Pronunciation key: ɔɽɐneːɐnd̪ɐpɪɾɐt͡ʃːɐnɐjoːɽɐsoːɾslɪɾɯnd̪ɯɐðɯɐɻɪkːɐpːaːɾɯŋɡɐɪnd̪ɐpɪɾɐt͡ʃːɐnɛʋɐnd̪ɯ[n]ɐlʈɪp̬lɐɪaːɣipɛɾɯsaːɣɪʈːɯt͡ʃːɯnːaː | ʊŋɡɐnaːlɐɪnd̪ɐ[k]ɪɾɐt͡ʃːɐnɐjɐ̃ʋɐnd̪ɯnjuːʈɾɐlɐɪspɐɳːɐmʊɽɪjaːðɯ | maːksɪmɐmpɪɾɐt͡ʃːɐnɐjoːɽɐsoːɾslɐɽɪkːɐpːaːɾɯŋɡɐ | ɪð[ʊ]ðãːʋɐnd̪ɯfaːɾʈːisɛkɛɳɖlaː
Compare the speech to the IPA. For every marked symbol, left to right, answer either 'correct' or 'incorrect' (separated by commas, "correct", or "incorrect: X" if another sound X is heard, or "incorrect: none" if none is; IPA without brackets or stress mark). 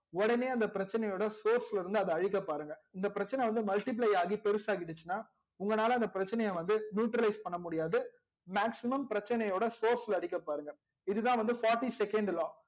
incorrect: m, incorrect: p, incorrect: ɯ